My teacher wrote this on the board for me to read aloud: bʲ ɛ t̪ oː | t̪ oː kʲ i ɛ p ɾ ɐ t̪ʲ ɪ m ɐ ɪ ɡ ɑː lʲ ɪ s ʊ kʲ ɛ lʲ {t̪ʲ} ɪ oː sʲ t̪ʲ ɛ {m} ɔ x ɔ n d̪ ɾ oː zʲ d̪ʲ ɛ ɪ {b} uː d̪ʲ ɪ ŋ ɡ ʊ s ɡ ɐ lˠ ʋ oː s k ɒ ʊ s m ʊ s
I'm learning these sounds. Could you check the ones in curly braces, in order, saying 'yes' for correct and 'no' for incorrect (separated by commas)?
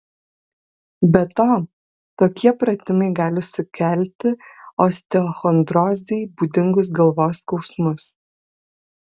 yes, no, yes